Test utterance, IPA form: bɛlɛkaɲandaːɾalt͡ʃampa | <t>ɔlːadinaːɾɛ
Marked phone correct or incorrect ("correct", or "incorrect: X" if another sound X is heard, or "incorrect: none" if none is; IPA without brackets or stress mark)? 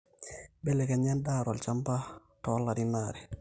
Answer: correct